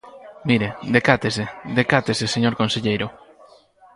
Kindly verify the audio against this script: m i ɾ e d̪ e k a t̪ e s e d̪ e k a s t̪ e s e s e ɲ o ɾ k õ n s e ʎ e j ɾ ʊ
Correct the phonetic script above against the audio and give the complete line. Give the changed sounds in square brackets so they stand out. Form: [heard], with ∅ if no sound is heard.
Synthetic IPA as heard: m i ɾ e d̪ e k a t̪ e s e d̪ e k a [∅] t̪ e s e s e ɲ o ɾ k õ n s e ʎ e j ɾ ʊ